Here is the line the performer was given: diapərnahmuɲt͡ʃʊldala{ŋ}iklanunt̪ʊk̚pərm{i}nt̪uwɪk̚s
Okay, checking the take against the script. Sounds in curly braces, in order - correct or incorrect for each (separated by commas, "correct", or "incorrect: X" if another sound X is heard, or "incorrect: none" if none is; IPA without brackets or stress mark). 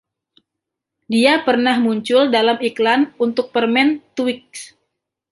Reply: incorrect: m, incorrect: ɛ